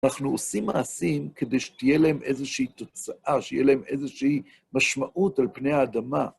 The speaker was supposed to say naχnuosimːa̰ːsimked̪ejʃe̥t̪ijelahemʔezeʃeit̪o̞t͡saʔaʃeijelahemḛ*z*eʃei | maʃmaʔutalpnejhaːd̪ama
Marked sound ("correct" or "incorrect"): correct